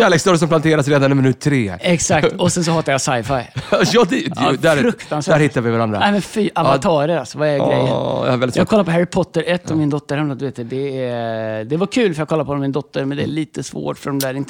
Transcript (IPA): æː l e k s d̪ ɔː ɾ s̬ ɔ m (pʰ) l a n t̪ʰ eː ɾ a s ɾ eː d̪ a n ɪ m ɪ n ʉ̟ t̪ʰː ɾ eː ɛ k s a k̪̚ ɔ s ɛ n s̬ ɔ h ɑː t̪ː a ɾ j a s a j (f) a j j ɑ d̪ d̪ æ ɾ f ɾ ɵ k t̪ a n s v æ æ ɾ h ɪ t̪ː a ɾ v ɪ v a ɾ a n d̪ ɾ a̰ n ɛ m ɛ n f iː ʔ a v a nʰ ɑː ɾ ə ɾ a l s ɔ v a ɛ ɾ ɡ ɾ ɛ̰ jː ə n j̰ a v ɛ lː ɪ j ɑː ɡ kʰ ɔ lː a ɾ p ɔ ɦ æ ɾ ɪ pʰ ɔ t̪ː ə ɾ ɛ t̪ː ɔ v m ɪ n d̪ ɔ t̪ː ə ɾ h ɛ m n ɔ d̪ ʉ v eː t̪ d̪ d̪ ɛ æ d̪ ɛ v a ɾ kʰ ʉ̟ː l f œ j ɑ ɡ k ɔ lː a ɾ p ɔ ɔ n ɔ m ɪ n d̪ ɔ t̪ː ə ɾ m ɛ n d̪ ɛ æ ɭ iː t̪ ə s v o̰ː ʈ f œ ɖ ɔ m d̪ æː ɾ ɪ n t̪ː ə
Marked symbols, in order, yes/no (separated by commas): no, yes